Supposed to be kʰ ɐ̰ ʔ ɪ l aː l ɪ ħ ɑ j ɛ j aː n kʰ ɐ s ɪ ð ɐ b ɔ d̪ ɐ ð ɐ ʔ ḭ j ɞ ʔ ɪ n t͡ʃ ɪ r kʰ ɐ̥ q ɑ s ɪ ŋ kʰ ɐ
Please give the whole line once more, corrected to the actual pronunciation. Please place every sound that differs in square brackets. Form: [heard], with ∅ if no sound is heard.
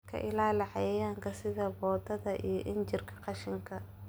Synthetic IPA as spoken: kʰ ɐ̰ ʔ ɪ l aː l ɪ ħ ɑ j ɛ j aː [ŋ] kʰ ɐ s ɪ ð ɐ b [ɔː] d̪ ɐ ð ɐ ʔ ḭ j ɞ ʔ ɪ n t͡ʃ ɪ r kʰ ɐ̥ q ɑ [ʃ] ɪ ŋ kʰ ɐ

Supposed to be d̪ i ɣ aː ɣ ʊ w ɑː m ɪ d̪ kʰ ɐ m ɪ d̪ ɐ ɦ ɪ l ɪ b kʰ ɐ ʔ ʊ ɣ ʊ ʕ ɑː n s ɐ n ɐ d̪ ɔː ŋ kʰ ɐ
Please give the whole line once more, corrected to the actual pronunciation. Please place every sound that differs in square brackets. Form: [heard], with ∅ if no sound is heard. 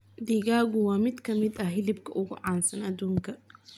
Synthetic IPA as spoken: d̪ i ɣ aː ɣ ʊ w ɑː m ɪ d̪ kʰ ɐ m ɪ d̪ ɐ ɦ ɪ l ɪ b kʰ ɐ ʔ ʊ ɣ ʊ ʕ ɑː n s ɐ n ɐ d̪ [uː] ŋ kʰ ɐ

